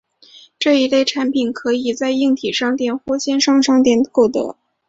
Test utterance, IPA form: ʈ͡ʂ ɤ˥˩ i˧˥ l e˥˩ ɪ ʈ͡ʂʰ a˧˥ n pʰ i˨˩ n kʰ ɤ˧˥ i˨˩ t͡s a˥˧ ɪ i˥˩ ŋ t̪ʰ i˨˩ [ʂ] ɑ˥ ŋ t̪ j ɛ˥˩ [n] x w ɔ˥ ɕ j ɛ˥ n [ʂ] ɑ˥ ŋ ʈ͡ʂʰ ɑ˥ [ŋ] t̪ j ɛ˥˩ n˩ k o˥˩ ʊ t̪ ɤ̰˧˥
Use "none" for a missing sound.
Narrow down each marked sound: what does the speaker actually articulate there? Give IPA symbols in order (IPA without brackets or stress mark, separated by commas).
ʂ, n, ʂ, ŋ